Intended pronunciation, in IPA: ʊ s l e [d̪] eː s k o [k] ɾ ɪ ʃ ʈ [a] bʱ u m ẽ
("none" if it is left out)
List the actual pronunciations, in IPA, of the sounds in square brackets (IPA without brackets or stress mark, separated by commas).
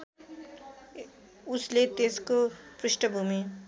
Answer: t̪, p, ə